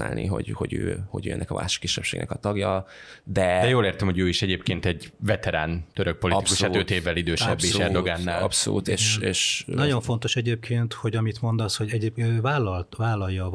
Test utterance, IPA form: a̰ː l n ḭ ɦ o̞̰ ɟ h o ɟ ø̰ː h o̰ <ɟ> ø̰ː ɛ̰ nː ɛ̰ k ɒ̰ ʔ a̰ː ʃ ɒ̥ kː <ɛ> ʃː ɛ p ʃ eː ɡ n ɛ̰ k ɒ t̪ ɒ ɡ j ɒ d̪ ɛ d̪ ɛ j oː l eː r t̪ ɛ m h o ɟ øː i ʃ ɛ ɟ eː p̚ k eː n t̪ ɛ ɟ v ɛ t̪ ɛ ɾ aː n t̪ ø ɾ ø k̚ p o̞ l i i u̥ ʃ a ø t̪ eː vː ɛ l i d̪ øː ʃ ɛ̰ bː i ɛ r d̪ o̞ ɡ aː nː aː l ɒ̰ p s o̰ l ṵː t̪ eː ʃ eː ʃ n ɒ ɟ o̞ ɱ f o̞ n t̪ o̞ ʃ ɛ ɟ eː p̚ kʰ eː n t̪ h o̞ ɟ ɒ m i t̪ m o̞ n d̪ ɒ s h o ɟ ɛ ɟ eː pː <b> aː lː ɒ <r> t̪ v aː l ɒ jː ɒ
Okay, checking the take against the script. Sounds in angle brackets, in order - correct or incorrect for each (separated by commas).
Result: correct, incorrect, incorrect, incorrect